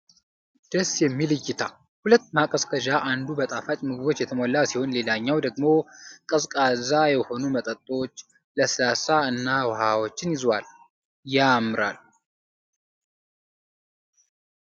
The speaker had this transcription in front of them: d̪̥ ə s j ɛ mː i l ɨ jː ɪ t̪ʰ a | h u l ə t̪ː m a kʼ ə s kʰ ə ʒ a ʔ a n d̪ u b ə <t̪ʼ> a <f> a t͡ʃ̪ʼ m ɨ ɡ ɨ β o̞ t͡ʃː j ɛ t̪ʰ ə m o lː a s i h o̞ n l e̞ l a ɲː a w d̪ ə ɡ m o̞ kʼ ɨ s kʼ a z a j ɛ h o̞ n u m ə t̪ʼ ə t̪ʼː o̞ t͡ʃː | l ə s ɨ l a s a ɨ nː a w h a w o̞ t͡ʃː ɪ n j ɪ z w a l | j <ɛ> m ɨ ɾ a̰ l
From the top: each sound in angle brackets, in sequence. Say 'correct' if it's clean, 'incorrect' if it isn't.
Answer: correct, correct, incorrect: a

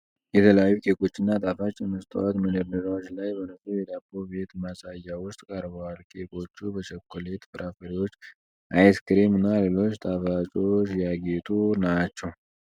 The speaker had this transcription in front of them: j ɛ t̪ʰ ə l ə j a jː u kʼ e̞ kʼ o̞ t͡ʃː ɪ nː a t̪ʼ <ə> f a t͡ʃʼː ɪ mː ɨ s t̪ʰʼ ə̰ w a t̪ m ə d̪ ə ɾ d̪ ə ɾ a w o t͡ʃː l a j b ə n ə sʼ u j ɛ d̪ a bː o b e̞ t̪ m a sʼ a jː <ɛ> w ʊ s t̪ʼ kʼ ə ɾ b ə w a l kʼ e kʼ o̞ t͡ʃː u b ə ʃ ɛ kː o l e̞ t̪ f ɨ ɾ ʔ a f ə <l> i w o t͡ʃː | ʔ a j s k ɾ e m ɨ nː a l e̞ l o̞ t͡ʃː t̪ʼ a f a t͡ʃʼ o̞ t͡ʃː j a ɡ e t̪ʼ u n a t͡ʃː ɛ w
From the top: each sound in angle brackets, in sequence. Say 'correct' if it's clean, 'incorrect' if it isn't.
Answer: incorrect: a, incorrect: a, incorrect: ɾ

